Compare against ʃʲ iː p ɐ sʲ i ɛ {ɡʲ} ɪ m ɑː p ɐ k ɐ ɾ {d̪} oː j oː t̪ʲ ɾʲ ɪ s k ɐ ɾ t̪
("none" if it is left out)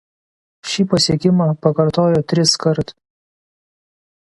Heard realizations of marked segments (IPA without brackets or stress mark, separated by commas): kʲ, t̪